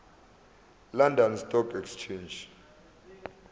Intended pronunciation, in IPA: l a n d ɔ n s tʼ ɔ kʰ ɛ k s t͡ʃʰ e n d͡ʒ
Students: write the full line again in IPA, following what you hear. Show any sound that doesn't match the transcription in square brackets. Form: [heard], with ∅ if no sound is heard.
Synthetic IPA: l a n d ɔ n s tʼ ɔ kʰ ɛ k s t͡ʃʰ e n d͡ʒ